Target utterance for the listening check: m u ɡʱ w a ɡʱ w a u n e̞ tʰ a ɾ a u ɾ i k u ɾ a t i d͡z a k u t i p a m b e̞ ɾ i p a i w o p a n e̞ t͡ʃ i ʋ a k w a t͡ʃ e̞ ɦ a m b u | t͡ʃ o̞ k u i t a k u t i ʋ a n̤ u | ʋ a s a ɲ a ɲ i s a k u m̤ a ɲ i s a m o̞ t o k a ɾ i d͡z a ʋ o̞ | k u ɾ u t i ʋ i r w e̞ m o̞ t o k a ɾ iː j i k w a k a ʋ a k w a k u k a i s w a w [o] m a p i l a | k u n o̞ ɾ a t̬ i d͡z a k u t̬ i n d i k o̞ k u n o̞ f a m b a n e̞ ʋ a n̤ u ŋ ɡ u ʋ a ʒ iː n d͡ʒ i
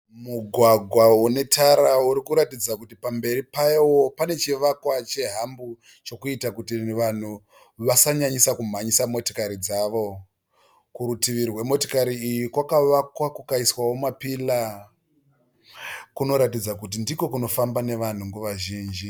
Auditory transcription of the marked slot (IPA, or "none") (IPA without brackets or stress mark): o